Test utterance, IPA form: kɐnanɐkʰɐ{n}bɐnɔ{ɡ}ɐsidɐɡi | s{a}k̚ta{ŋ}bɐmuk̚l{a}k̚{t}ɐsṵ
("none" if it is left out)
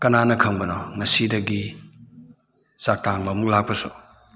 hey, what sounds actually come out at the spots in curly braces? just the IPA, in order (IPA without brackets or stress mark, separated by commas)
ŋ, ŋ, a, ŋ, a, p